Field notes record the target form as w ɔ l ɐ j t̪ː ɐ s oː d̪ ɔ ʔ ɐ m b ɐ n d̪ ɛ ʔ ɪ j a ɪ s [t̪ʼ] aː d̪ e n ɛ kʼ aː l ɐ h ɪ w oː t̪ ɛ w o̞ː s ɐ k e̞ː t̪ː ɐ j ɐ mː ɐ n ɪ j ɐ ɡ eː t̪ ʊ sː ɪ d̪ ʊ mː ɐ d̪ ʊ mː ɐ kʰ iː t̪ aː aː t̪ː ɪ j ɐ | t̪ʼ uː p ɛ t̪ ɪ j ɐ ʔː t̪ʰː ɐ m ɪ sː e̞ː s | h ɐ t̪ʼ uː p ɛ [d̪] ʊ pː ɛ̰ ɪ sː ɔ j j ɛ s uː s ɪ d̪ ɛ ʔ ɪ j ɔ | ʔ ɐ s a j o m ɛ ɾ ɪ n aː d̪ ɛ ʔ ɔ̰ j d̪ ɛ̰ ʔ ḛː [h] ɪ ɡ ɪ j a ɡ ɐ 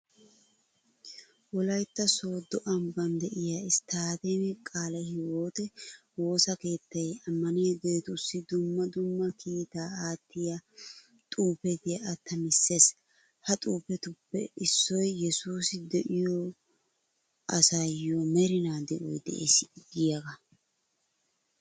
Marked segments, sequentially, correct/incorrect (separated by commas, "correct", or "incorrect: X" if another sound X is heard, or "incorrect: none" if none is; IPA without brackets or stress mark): incorrect: t̪, incorrect: t̪, incorrect: s